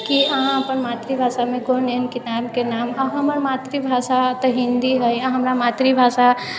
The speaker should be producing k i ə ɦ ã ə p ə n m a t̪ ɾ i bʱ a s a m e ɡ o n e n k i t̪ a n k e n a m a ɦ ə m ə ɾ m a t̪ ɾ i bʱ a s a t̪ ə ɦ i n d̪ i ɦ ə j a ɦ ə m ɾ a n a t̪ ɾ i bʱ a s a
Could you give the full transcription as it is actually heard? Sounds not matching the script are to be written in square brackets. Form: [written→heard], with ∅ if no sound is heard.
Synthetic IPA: k i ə ɦ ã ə p ə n m a t̪ ɾ i bʱ a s a m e ɡ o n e n k i t̪ a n k e n a m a ɦ ə m ə ɾ m a t̪ ɾ i bʱ a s a t̪ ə ɦ i n d̪ i ɦ ə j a ɦ ə m ɾ a [n→m] a t̪ ɾ i bʱ a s a